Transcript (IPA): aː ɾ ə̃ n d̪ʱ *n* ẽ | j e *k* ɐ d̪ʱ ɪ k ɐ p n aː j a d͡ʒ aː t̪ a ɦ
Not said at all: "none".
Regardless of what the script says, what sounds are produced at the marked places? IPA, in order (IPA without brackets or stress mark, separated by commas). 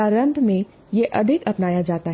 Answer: m, ʔ